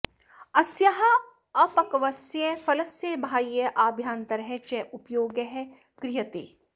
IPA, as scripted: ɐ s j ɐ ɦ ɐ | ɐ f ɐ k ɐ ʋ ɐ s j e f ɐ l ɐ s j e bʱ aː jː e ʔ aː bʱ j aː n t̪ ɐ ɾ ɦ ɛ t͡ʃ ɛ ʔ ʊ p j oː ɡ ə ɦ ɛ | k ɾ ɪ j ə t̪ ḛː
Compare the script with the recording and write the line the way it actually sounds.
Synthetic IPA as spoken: ɐ s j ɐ ɦ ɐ | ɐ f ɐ k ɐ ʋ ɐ s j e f ɐ l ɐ s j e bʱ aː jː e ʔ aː bʱ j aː n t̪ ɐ ɾ ɦ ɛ t͡ʃ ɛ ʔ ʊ p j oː ɡ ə ɦ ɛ | k ɾ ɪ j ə t̪ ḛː

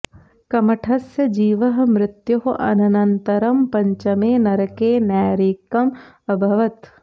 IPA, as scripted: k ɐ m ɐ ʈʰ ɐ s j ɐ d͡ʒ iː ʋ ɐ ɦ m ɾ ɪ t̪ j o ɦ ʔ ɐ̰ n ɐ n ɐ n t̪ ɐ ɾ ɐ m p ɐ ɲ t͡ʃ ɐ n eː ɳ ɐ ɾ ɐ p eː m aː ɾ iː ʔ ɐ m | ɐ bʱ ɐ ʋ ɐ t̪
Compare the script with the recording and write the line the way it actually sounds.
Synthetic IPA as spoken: k ɐ m ɐ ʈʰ ɐ s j ɐ d͡ʒ iː ʋ ɐ ɦ m ɾ ɪ t̪ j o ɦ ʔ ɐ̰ n ɐ n ɐ n t̪ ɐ ɾ ɐ m p ɐ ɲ t͡ʃ ɐ m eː n ɐ ɾ ɐ k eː n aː ɾ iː k ɐ m | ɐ bʱ ɐ ʋ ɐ t̪

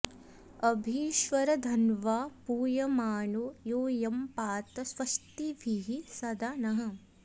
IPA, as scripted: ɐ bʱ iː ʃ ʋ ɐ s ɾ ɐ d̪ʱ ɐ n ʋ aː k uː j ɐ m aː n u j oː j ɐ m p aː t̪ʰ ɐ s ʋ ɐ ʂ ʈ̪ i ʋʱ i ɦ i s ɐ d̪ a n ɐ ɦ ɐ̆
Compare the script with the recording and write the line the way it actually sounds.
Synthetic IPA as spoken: ɐ bʱ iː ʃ ʋ ɐ ɾ ɐ d̪ʱ ɐ n ʋ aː p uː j ɐ m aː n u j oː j ɐ m p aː t̪ ɐ s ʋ ɐ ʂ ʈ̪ i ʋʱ i ɦ i s ɐ d̪ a n ɐ ɦ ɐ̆

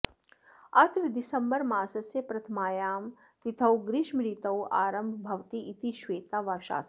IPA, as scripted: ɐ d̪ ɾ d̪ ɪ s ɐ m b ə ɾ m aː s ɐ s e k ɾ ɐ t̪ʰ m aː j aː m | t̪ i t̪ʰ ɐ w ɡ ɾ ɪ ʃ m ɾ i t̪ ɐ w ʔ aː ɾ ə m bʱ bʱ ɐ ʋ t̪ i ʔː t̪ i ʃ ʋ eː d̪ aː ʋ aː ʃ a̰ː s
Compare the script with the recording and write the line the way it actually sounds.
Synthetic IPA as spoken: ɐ t̪ ɾ d̪ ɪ s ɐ m b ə ɾ m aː s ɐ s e p ɾ ɐ t̪ʰ m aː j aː m | t̪ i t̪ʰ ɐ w ɡ ɾ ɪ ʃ m ɾ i t̪ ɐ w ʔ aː ɾ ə m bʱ bʱ ɐ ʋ t̪ i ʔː t̪ i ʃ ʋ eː t̪ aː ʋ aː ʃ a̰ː s

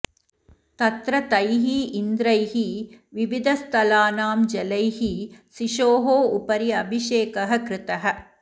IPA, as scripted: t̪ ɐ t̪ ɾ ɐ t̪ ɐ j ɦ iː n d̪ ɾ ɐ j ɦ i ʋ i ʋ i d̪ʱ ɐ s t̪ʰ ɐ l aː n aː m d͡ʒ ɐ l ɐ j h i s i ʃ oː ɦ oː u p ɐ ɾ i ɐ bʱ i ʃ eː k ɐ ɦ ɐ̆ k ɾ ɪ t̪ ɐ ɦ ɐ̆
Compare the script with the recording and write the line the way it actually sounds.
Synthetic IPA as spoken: t̪ ɐ t̪ ɾ ɐ t̪ ɐ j ɦ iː n d̪ ɾ ɐ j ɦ i ʋ i ʋ i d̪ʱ ɐ s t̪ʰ ɐ l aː n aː m d͡ʒ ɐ l ɐ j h i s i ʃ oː ɦ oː u p ɐ ɾ i ɐ bʱ i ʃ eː k ɐ ɦ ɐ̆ k ɾ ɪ t̪ ɐ ɦ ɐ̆

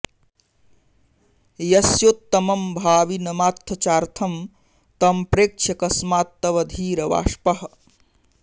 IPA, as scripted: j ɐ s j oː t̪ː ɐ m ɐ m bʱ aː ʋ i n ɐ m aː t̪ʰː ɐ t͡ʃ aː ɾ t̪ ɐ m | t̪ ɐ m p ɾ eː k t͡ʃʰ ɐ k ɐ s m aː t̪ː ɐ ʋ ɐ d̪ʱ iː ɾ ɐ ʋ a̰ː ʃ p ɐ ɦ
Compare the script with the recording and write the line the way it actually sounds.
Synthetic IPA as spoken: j ɐ s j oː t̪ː ɐ m ɐ m bʱ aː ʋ i n ɐ m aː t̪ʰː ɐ t͡ʃ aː ɾ t̪ʰ ɐ m | t̪ ɐ m p ɾ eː k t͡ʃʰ ɐ k ɐ s m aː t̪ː ɐ ʋ ɐ d̪ʱ iː ɾ ɐ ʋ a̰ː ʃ p ɐ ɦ

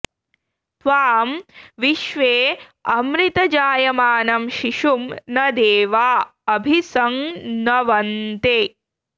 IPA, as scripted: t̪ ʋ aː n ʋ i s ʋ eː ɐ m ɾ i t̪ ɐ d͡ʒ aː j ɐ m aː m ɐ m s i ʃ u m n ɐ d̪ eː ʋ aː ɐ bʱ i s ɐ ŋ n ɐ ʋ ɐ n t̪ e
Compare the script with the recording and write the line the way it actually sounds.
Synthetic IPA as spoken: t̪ ʋ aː m ʋ i ʃ ʋ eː ɐ m ɾ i t̪ ɐ d͡ʒ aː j ɐ m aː n ɐ m ʃ i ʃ u m n ɐ d̪ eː ʋ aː ɐ bʱ i s ɐ ŋ n ɐ ʋ ɐ n t̪ e

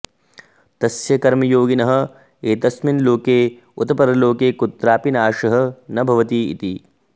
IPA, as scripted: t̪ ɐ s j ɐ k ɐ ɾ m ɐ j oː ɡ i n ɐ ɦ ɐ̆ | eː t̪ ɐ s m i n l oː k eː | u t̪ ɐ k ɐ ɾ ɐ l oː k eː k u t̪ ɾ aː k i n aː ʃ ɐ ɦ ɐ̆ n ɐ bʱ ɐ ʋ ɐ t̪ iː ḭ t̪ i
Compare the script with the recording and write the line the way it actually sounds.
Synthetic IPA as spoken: t̪ ɐ s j ɐ k ɐ ɾ m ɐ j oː ɡ i n ɐ ɦ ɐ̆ | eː t̪ ɐ s m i n l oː k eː | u t̪ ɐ p ɐ ɾ ɐ l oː k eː k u t̪ ɾ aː p i n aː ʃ ɐ ɦ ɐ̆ n ɐ bʱ ɐ ʋ ɐ t̪ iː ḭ t̪ i

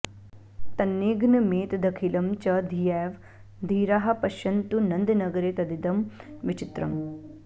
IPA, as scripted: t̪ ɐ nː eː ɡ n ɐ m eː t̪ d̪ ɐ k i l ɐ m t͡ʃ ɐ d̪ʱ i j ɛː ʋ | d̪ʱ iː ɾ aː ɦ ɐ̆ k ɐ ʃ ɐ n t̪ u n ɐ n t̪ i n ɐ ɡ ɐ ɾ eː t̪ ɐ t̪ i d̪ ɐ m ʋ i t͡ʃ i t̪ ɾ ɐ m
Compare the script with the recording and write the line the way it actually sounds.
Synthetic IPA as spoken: t̪ ɐ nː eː ɡ n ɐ m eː t̪ d̪ ɐ kʰ i l ɐ m t͡ʃ ɐ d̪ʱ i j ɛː ʋ | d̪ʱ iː ɾ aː ɦ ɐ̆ p ɐ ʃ ɐ n t̪ u n ɐ n d̪ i n ɐ ɡ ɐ ɾ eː t̪ ɐ d̪ i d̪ ɐ m ʋ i t͡ʃ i t̪ ɾ ɐ m

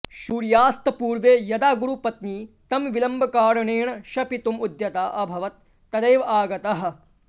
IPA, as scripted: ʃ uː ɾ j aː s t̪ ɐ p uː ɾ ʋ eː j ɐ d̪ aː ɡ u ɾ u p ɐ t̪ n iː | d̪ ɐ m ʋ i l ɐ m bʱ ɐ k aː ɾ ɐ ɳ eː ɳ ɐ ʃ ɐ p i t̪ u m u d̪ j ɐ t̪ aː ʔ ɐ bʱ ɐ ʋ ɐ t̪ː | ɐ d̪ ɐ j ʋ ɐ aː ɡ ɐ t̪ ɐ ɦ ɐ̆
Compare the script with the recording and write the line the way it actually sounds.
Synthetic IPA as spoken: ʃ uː ɾ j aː s t̪ ɐ p uː ɾ ʋ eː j ɐ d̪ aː ɡ u ɾ u p ɐ t̪ n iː | t̪ ɐ m ʋ i l ɐ m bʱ ɐ k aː ɾ ɐ ɳ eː ɳ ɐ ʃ ɐ p i t̪ u m u d̪ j ɐ t̪ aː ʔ ɐ bʱ ɐ ʋ ɐ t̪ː | ɐ d̪ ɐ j ʋ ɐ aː ɡ ɐ t̪ ɐ ɦ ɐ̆

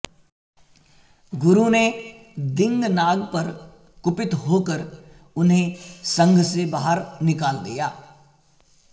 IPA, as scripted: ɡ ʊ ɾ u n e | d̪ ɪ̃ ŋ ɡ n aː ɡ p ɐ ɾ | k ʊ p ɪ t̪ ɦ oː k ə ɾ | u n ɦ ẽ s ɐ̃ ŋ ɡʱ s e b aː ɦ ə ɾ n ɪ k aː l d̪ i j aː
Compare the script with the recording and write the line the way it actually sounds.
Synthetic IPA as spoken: ɡ ʊ ɾ u n e | d̪ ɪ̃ ŋ ɡ n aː ɡ p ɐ ɾ | k ʊ p ɪ t̪ ɦ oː k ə ɾ | ʊ n ɦ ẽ s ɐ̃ ŋ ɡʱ s e b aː ɦ ə ɾ n ɪ k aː l d̪ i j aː

